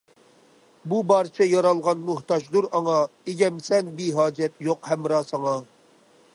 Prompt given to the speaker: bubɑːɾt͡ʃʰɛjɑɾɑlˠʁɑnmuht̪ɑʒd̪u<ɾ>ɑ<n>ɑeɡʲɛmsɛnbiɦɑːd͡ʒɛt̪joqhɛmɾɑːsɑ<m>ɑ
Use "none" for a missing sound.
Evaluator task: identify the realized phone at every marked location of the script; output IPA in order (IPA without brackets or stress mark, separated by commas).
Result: ɾ, ŋ, ŋ